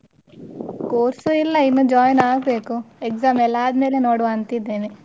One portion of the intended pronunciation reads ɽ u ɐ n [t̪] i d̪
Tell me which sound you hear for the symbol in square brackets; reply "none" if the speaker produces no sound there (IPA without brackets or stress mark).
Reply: t̪